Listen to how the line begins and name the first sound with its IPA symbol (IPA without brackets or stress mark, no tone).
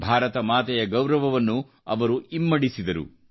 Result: bʱ